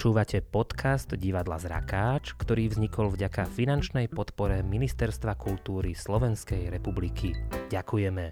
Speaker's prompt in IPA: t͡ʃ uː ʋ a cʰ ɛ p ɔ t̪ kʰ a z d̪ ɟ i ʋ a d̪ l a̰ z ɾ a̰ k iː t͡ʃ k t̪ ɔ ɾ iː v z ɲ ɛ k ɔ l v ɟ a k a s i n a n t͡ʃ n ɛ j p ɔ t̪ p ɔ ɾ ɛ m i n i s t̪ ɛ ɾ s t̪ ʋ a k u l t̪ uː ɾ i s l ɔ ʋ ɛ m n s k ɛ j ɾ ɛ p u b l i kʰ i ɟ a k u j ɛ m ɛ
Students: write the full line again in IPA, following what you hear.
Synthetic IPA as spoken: t͡ʃ uː ʋ a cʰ ɛ p ɔ t̪ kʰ a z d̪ ɟ i ʋ a d̪ l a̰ z ɾ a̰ k aː t͡ʃ k t̪ ɔ ɾ iː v z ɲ i k ɔ l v ɟ a k a f i n a n t͡ʃ n ɛ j p ɔ t̪ p ɔ ɾ ɛ m i n i s t̪ ɛ ɾ s t̪ ʋ a k u l t̪ uː ɾ i s l ɔ ʋ ɛ n s k ɛ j ɾ ɛ p u b l i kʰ i ɟ a k u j ɛ m ɛ